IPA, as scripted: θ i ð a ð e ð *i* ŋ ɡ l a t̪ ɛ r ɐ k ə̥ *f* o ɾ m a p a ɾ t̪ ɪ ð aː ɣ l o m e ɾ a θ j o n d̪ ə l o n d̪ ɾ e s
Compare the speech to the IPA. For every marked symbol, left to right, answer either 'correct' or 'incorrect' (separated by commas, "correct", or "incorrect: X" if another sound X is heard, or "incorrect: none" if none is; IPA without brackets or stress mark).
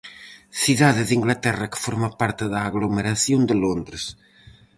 correct, correct